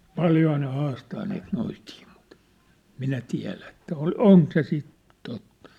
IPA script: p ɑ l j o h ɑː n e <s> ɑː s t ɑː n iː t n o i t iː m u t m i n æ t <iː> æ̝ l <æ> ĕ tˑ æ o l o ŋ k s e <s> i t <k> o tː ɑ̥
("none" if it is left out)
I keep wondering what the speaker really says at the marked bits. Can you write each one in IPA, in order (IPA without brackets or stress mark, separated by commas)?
h, i, æ, s, t